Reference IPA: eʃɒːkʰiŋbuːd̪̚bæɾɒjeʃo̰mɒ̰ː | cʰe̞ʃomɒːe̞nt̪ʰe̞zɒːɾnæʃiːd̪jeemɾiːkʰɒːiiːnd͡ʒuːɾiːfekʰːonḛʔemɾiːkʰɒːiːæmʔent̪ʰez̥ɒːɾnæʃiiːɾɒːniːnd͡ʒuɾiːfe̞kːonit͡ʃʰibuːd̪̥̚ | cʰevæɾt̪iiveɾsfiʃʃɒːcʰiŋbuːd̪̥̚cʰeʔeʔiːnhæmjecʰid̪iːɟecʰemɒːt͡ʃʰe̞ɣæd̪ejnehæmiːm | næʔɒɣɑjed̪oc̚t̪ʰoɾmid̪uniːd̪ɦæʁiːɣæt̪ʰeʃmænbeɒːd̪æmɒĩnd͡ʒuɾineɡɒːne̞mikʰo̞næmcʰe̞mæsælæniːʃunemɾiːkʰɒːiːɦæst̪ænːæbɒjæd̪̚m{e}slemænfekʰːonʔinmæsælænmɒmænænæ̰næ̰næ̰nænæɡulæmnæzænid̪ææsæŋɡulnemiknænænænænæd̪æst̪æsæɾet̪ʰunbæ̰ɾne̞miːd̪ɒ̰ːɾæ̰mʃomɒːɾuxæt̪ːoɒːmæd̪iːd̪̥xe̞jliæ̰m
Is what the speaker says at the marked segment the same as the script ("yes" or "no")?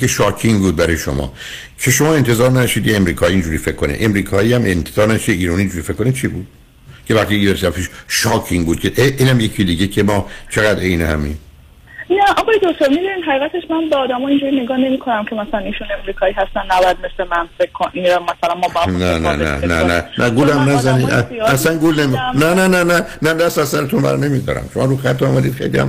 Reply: yes